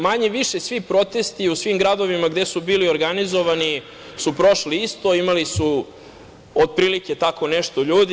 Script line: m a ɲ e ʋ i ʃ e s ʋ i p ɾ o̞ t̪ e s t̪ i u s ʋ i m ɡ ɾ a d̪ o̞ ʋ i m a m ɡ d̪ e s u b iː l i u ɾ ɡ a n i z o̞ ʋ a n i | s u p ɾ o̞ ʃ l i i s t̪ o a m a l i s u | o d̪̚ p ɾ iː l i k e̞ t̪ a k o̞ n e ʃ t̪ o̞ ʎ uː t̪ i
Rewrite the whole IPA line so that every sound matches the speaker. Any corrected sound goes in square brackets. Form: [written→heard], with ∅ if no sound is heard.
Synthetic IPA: m a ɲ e ʋ i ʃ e s ʋ i p ɾ o̞ t̪ e s t̪ i u s ʋ i m ɡ ɾ a d̪ o̞ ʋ i m a [m→∅] ɡ d̪ e s u b iː l i [u→o] ɾ ɡ a n i z o̞ ʋ a n i | s u p ɾ o̞ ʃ l i i s t̪ o [a→i] m a l i s u | o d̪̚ p ɾ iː l i k e̞ t̪ a k o̞ n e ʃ t̪ o̞ ʎ uː [t̪→d̪] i